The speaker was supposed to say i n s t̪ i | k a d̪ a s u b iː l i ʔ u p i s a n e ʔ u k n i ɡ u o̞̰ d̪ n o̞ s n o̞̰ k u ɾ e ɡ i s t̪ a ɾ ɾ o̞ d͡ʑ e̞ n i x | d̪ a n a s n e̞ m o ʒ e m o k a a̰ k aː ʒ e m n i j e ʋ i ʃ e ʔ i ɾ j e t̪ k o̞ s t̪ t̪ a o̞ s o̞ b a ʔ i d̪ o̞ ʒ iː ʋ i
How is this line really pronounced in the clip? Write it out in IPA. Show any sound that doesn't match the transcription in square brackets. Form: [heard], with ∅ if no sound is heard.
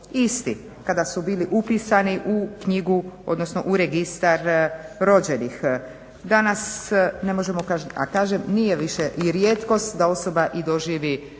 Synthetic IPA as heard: i [∅] s t̪ i | k a d̪ a s u b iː l i ʔ u p i s a n [i] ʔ u k [ɲ] i ɡ u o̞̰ d̪ n o̞ s n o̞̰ [ʔ] u ɾ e ɡ i s t̪ a ɾ ɾ o̞ d͡ʑ e̞ n i x | d̪ a n a s n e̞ m o ʒ e m o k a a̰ k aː ʒ e m n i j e ʋ i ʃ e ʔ i ɾ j e t̪ k o̞ s t̪ [d̪] a o̞ s o̞ b a ʔ i d̪ o̞ ʒ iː ʋ i

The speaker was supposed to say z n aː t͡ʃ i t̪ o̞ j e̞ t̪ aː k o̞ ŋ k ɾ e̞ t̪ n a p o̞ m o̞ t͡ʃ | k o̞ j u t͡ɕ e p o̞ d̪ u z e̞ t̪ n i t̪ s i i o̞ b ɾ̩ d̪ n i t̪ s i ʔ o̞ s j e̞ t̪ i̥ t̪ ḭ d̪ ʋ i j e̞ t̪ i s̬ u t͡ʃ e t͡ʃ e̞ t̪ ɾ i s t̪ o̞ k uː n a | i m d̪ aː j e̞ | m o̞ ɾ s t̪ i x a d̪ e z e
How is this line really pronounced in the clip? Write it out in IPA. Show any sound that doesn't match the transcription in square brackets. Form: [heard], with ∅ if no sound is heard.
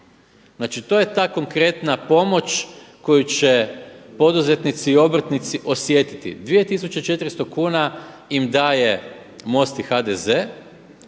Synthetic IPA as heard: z n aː t͡ʃ i t̪ o̞ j e̞ t̪ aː k o̞ ŋ k ɾ e̞ t̪ n a p o̞ m o̞ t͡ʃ | k o̞ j u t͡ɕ e p o̞ d̪ u z e̞ t̪ n i t̪ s i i o̞ b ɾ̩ [t̪] n i t̪ s i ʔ o̞ s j e̞ t̪ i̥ t̪ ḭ d̪ ʋ i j e̞ t̪ i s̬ u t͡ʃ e t͡ʃ e̞ t̪ ɾ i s t̪ o̞ k uː n a | i m d̪ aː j e̞ | m o̞ [∅] s t̪ i x a d̪ e z e

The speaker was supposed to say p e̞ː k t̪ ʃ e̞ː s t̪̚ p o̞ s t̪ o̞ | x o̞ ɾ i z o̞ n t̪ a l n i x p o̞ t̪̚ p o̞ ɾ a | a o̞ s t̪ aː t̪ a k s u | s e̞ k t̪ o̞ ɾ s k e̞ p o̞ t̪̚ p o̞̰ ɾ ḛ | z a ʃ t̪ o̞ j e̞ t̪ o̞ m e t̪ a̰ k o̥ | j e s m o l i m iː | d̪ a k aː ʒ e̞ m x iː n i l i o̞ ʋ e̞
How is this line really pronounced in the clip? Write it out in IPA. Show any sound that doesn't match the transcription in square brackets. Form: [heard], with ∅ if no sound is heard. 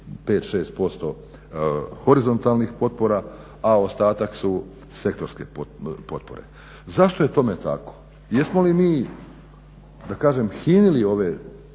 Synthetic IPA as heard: p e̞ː [∅] t̪ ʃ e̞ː s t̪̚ p o̞ s t̪ o̞ | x o̞ ɾ i z o̞ n t̪ a l n i x p o̞ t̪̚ p o̞ ɾ a | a o̞ s t̪ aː t̪ a k s u | s e̞ k t̪ o̞ ɾ s k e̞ p o̞ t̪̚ p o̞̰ ɾ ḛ | z a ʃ t̪ o̞ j e̞ t̪ o̞ m e t̪ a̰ k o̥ | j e s m o l i m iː | d̪ a k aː ʒ e̞ m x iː n i l i o̞ ʋ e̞

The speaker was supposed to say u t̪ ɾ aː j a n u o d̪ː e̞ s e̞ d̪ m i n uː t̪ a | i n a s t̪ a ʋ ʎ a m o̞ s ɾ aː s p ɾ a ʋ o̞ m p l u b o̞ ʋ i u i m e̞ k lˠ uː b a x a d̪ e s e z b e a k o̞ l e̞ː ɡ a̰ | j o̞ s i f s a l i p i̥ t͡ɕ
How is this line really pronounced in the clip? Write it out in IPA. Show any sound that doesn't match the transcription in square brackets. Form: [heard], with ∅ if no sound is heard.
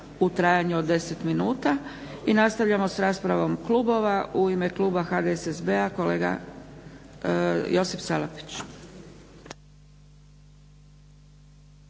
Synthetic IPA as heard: u t̪ ɾ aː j a [ɲ] u o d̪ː e̞ s e̞ [t̪] m i n uː t̪ a | i n a s t̪ a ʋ ʎ a m o̞ s ɾ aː s p ɾ a ʋ o̞ m [k] l u b o̞ ʋ [a] u i m e̞ k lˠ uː b a x a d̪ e s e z b e a k o̞ l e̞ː ɡ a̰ | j o̞ s i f s a l [a] p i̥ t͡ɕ

